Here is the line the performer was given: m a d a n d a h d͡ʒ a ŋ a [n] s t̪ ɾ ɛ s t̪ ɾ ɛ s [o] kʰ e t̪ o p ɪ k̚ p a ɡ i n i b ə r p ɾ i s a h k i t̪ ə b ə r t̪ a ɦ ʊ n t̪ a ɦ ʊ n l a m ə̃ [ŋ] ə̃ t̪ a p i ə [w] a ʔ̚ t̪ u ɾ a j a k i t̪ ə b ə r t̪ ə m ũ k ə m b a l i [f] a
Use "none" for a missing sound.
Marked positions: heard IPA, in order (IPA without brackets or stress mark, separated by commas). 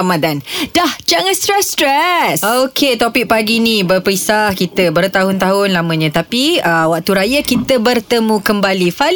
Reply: n, o, ɲ, w, f